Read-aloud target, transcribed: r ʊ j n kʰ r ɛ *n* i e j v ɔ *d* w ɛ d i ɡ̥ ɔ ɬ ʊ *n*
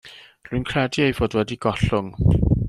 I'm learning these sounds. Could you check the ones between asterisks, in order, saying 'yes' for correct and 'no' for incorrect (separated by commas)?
no, yes, no